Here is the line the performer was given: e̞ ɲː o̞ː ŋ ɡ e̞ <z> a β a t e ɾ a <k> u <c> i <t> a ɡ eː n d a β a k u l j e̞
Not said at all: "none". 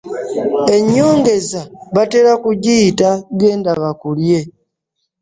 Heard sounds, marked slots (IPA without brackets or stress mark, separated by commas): z, k, ɟ, t